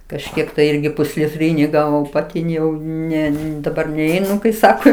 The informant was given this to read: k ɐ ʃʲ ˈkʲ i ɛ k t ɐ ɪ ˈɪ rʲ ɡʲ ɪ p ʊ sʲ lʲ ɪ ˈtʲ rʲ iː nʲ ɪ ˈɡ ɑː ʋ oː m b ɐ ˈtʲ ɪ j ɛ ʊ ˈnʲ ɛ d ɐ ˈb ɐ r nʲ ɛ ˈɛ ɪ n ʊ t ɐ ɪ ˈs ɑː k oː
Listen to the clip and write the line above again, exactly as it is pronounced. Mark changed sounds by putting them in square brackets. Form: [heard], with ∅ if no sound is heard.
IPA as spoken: k ɐ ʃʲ ˈkʲ i ɛ k t ɐ ɪ ˈɪ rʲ ɡʲ ɪ p ʊ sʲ lʲ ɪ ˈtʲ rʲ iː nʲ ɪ ˈɡ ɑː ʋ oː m [p] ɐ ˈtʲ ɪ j ɛ ʊ ˈnʲ ɛ d ɐ ˈb ɐ r nʲ ɛ ˈɛ ɪ n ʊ [k] ɐ ɪ ˈs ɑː k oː